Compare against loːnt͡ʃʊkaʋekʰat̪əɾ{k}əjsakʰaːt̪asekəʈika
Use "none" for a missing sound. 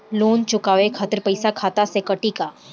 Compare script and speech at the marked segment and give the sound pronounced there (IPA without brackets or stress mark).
p